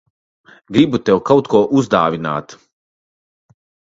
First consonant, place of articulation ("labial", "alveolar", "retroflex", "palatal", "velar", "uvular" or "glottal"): velar